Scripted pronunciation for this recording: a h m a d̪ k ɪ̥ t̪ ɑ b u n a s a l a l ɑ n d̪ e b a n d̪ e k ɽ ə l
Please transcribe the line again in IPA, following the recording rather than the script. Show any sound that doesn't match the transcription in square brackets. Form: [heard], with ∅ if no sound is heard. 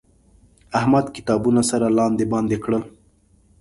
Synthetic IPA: a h m a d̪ k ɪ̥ t̪ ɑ b u n a s a [ɾ] a l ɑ n d̪ e b [ɑ] n d̪ e k ɽ ə l